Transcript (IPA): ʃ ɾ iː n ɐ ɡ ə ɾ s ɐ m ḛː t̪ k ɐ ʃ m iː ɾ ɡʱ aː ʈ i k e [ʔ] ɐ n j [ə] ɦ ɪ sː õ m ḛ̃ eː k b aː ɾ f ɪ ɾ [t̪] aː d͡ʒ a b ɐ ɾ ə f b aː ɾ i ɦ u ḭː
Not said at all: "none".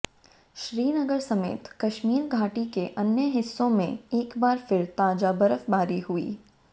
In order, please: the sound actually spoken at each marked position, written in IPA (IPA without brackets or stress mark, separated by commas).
ʔ, ə, t̪